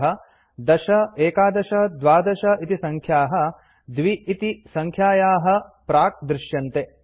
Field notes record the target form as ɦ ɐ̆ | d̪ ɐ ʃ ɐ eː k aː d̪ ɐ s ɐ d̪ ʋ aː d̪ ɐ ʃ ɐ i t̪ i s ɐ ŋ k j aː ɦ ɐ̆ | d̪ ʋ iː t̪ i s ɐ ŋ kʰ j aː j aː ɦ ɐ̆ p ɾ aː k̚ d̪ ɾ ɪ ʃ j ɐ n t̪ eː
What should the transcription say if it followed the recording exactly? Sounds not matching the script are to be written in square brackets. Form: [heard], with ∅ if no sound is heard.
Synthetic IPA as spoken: ɦ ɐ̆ | d̪ ɐ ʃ ɐ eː k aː d̪ ɐ [ʃ] ɐ d̪ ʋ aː d̪ ɐ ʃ ɐ i t̪ i s ɐ ŋ [kʰ] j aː ɦ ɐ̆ | d̪ ʋ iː t̪ i s ɐ ŋ kʰ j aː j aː ɦ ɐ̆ p ɾ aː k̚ d̪ ɾ ɪ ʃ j ɐ n t̪ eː